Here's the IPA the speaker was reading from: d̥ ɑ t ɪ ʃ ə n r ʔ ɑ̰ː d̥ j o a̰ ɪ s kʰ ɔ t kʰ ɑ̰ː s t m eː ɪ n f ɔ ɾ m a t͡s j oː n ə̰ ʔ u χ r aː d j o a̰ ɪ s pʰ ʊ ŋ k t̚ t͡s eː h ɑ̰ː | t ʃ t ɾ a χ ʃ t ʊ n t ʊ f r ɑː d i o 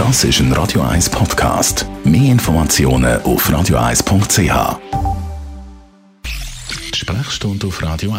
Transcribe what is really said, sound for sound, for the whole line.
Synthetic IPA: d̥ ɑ s ɪ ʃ ə n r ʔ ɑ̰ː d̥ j o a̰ ɪ s pʰ ɔ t kʰ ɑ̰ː s t m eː ɪ n f ɔ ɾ m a t͡s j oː n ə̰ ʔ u f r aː d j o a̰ ɪ s pʰ ʊ ŋ k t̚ t͡s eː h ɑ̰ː | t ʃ p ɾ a χ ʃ t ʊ n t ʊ f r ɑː d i o